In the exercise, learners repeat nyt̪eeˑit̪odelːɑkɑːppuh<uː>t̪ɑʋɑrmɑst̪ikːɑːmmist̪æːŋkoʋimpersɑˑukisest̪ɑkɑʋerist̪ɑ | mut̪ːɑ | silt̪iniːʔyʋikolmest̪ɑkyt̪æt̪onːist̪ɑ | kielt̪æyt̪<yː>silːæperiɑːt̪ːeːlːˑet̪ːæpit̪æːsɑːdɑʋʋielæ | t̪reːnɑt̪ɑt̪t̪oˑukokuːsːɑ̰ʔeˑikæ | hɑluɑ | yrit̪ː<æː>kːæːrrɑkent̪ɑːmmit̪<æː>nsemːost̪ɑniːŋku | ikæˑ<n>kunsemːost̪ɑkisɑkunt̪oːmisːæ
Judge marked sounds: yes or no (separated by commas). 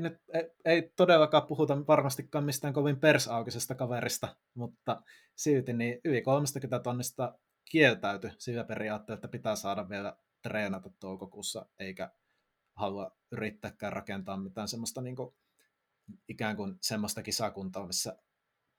no, no, yes, yes, no